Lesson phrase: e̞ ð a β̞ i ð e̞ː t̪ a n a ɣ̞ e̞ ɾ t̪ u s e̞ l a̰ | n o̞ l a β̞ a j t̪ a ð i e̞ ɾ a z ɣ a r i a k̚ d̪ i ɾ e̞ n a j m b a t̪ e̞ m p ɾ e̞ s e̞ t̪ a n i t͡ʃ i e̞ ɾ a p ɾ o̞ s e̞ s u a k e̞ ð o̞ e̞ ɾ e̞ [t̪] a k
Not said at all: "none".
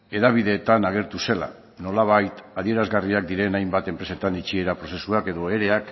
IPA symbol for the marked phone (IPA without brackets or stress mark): none